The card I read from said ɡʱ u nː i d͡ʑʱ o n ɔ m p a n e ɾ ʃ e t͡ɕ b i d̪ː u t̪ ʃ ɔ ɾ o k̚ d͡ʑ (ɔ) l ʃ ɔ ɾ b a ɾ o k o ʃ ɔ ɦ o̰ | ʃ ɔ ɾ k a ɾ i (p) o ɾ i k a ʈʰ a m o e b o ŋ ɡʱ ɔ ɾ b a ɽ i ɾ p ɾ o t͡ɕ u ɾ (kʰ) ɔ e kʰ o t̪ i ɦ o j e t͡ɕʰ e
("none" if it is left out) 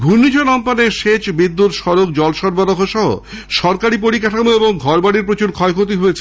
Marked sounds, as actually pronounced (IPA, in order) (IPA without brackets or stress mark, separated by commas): ɔ, p, kʰ